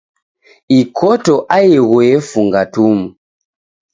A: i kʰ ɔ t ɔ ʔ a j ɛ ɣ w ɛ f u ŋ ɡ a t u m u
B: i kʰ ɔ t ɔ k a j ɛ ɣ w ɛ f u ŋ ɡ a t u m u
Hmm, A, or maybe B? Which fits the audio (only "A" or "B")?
A